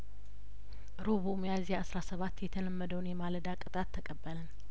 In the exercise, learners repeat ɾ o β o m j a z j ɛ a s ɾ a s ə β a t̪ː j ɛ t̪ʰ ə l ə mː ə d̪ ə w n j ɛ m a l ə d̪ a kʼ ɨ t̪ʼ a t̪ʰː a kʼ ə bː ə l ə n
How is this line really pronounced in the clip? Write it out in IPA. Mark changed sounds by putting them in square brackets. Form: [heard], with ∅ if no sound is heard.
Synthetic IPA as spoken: ɾ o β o m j a z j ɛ a s ɾ a s ə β a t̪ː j ɛ t̪ʰ ə l ə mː ə d̪ ə w n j ɛ m a l ə d̪ a kʼ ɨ t̪ʼ a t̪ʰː [ə] kʼ ə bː ə l ə n